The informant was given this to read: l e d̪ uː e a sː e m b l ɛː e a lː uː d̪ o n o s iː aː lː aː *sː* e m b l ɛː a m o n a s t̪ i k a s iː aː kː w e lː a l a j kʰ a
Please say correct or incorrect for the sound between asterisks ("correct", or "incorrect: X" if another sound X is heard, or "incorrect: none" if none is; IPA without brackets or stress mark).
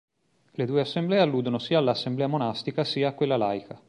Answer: correct